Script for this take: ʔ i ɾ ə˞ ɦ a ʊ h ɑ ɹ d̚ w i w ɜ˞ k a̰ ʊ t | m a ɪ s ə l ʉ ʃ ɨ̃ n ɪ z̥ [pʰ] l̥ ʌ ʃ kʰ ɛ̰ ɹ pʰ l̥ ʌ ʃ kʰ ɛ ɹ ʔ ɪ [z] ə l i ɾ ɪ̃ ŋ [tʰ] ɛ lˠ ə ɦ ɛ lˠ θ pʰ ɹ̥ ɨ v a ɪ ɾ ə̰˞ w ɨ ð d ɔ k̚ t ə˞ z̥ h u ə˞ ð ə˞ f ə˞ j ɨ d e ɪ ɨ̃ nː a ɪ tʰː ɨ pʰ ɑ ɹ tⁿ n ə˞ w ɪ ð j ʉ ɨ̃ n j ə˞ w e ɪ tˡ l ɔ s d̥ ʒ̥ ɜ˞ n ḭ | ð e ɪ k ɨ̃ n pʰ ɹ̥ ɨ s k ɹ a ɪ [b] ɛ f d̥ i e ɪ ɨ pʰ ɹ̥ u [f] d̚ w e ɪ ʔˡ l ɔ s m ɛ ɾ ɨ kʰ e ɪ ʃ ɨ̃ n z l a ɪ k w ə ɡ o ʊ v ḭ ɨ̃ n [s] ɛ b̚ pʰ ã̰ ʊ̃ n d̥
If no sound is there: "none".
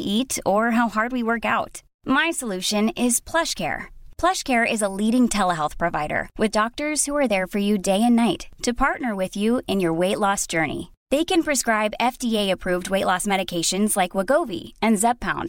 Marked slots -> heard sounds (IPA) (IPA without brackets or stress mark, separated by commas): pʰ, z, tʰ, b, v, z